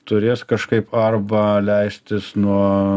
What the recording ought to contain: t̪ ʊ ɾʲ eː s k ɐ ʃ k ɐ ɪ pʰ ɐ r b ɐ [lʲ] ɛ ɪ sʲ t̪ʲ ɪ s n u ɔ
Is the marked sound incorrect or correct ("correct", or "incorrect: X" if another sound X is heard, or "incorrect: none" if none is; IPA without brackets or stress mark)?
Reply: correct